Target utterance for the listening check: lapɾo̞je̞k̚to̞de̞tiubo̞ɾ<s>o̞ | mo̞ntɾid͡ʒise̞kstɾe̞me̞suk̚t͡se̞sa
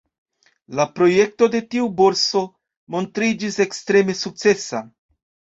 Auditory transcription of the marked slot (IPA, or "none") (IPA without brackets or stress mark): s